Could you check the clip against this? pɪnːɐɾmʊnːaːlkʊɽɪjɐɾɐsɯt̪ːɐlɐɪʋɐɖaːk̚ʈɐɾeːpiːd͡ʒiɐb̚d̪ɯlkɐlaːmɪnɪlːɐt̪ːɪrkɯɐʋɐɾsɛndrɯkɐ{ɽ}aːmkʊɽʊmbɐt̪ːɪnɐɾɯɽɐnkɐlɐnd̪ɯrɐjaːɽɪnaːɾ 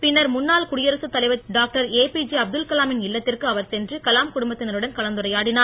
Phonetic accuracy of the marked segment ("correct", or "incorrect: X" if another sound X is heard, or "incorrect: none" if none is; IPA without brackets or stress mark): incorrect: l